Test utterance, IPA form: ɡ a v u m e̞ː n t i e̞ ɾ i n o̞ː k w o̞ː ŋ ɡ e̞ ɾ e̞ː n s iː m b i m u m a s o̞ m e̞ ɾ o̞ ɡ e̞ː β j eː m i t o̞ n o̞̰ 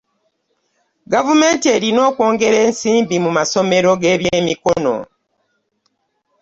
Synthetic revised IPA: ɡ a v u m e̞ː n t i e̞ ɾ i n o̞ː k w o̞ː ŋ ɡ e̞ ɾ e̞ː n s iː m b i m u m a s o̞ m e̞ ɾ o̞ ɡ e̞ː β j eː m i k o̞ n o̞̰